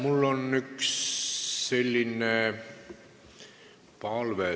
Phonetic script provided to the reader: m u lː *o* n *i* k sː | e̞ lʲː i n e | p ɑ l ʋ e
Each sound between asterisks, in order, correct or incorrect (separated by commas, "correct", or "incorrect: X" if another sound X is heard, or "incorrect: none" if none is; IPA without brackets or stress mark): correct, incorrect: y